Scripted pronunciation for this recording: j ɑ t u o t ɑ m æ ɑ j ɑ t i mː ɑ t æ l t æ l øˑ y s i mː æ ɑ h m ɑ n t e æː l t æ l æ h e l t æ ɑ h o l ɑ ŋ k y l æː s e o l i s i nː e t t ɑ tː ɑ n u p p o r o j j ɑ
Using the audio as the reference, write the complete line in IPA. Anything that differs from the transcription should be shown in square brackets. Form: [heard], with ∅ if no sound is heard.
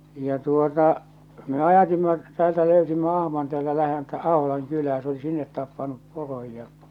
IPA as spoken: j ɑ t u o t ɑ m [e] ɑ j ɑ t i mː ɑ t [æː] l t æ l øˑ y s i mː æ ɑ h m ɑ n t e æː l t æ l æ h e l t æ ɑ h o l ɑ ŋ k y l æː s e o l i s i nː e t t ɑ [pː] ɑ n u p p o r o j j ɑ